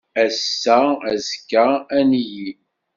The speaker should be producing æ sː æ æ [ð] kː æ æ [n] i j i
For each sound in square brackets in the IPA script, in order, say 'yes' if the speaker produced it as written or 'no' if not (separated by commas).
no, yes